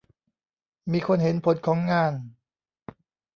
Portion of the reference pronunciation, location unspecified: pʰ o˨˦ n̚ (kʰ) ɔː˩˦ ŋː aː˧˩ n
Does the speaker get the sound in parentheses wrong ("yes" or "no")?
no